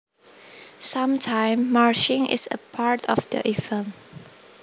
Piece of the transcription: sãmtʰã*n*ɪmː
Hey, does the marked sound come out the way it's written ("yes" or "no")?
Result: no